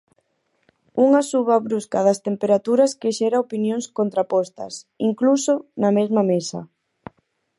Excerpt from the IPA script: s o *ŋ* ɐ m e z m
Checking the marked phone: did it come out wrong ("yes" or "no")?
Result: yes